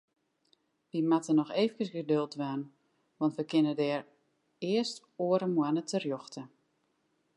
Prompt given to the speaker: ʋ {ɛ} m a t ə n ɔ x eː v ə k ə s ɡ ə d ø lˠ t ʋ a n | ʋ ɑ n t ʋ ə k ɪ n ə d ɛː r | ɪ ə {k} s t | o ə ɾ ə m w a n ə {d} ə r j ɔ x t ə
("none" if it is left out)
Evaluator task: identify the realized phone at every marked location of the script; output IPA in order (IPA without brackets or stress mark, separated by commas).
i, none, t